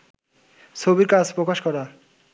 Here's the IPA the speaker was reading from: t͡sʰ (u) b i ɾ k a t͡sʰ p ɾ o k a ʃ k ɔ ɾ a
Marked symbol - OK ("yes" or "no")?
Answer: no